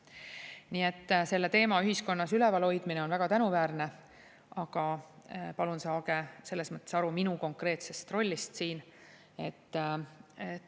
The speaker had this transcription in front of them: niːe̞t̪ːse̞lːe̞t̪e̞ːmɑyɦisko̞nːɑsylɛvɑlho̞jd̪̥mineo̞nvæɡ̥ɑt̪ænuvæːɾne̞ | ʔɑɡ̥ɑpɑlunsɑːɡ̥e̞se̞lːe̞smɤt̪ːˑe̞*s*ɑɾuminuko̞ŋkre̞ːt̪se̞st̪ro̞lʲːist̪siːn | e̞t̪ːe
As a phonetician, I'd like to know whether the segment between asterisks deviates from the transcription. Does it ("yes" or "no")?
no